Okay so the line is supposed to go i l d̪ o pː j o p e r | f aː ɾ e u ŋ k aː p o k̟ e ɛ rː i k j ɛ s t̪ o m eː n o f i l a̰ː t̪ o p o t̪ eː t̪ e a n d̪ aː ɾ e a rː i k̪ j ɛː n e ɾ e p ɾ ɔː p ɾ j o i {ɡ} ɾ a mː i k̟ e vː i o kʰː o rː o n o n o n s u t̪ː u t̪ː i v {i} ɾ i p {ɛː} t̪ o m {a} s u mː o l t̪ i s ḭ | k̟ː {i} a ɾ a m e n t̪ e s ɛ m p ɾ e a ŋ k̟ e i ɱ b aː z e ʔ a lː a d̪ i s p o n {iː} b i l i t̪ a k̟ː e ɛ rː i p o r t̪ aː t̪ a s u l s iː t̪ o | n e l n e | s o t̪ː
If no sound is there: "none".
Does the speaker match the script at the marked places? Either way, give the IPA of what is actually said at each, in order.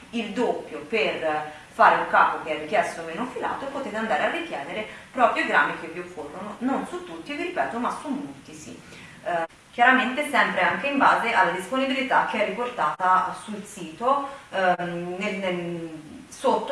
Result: ɡ, i, ɛː, a, j, i

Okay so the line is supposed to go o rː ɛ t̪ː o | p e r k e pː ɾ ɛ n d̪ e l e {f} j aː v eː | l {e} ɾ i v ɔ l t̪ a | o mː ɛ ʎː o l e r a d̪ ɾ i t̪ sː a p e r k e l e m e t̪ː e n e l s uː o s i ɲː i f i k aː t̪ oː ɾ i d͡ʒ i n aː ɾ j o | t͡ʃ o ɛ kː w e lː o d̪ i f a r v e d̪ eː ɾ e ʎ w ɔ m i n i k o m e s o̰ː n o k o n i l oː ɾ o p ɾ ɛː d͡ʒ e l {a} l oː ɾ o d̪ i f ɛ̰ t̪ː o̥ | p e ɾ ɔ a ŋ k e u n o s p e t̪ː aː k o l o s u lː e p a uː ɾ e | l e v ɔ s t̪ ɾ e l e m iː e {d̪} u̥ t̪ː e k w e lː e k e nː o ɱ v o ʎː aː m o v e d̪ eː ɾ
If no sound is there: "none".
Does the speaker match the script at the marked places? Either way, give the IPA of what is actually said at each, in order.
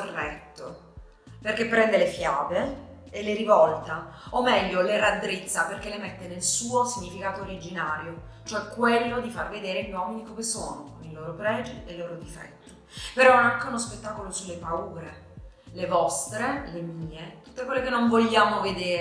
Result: f, e, e, t̪

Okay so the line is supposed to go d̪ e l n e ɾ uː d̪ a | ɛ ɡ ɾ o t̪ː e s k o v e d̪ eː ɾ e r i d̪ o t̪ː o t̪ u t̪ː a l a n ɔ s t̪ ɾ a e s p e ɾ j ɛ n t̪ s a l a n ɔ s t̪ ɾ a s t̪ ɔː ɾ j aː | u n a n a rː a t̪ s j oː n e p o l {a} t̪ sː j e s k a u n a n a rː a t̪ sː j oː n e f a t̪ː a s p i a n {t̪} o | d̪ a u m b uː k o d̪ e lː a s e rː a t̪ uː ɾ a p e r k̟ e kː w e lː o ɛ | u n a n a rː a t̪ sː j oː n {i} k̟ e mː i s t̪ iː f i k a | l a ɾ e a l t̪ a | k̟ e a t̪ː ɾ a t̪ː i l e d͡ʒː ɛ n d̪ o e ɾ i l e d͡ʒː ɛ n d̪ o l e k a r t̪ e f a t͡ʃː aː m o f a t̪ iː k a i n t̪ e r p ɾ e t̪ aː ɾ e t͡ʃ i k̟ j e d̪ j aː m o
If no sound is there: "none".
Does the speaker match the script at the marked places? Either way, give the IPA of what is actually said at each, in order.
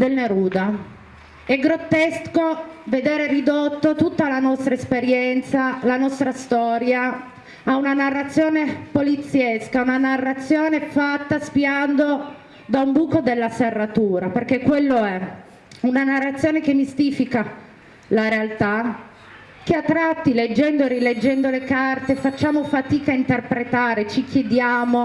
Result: i, d̪, e

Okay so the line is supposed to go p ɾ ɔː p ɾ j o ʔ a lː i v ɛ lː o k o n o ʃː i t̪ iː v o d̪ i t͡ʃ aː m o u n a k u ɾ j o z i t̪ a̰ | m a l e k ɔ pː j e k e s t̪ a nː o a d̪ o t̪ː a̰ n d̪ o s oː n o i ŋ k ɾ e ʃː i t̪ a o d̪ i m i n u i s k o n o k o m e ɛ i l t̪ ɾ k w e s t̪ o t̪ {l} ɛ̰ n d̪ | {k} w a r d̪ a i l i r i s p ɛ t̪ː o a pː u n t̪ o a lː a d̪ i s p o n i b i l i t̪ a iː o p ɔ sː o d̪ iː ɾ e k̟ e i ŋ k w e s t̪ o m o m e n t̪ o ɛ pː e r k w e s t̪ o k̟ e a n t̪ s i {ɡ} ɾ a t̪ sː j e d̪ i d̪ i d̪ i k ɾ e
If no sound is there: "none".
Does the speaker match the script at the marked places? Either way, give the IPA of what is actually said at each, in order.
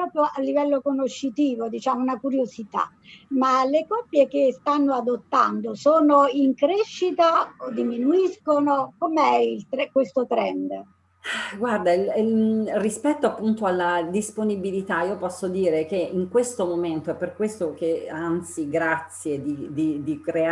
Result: ɾ, ɡ, ɡ

